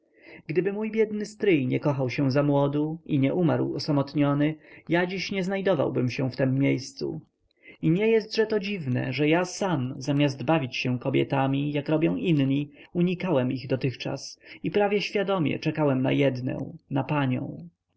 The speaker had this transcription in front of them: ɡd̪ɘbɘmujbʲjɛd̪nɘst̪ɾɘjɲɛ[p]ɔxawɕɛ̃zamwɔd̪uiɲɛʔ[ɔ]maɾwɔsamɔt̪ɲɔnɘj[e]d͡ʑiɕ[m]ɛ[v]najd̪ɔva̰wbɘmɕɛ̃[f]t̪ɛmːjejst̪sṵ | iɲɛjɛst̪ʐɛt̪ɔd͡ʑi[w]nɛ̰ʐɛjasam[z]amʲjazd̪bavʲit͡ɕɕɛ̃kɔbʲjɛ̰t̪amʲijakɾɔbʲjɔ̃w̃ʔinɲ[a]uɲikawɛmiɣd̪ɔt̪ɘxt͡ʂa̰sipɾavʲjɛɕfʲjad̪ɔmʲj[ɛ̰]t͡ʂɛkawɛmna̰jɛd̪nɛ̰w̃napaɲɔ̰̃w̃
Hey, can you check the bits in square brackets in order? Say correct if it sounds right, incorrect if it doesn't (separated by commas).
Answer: incorrect, incorrect, incorrect, incorrect, incorrect, correct, incorrect, correct, incorrect, correct